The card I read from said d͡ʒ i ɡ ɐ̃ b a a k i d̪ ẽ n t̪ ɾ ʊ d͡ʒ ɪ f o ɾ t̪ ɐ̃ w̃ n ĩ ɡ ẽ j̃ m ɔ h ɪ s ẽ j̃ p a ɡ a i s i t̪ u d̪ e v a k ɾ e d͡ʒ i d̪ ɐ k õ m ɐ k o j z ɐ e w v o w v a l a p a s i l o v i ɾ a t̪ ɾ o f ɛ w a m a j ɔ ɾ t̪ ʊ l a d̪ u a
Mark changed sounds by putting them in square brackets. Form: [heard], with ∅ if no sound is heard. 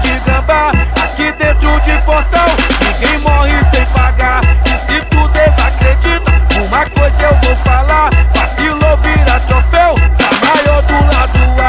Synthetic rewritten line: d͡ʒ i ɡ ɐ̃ b a a k i d̪ ẽ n t̪ ɾ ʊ d͡ʒ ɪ f o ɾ t̪ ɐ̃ w̃ n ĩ ɡ ẽ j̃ m ɔ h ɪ s ẽ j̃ p a ɡ a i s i t̪ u d̪ e [z] a k ɾ e d͡ʒ i [t̪] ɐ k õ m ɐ k o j z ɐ e w v o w [f] a l a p a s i l o v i ɾ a t̪ ɾ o f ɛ w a m a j ɔ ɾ [d̪] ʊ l a d̪ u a